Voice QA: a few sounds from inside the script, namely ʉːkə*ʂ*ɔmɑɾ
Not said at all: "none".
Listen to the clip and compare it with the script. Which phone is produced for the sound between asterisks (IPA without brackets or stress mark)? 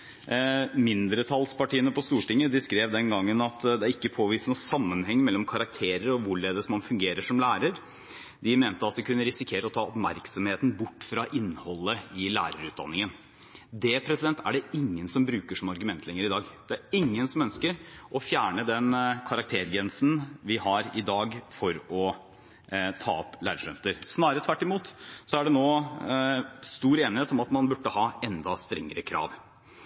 ʂ